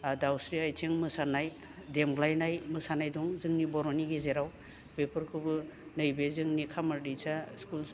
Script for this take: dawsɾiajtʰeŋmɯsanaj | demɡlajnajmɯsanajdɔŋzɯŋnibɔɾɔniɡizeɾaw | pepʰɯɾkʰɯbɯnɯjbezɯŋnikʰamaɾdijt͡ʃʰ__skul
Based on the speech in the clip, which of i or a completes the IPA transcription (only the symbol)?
a